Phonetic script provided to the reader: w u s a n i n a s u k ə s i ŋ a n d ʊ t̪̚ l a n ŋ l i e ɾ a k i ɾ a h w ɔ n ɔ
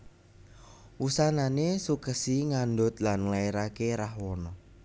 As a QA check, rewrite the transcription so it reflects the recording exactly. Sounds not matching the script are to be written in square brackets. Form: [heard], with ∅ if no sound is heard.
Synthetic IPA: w u s a n [a] n [e] s u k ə s i ŋ a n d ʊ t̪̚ l a n ŋ l [a] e ɾ a k [e] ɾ a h w ɔ n ɔ